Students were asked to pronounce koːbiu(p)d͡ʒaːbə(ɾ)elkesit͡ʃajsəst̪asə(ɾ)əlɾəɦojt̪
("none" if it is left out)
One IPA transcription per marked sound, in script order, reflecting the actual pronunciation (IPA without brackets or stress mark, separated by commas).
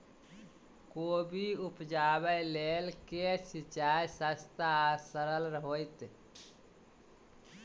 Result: p, l, ɾ